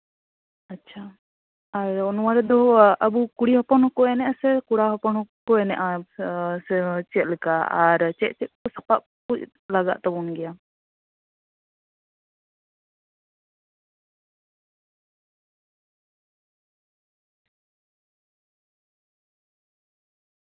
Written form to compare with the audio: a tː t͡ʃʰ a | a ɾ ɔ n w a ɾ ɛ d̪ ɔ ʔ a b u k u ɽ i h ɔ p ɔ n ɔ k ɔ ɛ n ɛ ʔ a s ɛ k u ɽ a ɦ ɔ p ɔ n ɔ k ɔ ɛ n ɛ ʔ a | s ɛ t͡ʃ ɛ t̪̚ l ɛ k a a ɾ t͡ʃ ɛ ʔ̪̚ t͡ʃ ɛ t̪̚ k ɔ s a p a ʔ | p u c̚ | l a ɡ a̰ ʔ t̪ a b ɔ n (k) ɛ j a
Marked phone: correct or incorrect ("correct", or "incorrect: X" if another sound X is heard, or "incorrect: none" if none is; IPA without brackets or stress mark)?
incorrect: ɡ